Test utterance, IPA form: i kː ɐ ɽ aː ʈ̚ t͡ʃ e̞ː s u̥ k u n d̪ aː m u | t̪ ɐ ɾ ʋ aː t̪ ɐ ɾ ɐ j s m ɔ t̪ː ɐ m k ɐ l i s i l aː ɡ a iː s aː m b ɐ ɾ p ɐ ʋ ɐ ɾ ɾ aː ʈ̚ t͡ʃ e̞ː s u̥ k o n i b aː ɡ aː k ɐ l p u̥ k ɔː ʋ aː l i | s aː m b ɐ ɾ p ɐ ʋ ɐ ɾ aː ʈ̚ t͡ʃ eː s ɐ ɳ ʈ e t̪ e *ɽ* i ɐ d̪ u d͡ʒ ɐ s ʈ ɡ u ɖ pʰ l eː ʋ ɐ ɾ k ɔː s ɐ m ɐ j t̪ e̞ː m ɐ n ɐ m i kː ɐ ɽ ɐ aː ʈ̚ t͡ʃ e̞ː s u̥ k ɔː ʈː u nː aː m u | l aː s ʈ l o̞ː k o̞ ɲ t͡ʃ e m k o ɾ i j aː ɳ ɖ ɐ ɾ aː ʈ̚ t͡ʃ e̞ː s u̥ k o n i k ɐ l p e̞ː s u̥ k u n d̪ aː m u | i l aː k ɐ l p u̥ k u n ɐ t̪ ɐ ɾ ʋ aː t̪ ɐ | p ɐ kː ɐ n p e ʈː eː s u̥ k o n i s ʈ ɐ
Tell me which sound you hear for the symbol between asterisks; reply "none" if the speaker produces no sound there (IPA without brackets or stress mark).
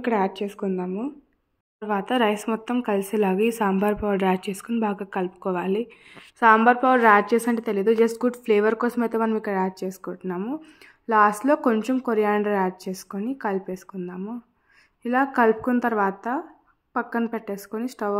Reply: l